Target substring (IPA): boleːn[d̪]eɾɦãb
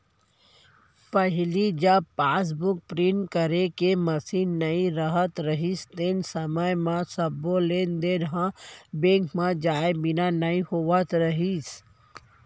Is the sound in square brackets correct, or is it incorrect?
correct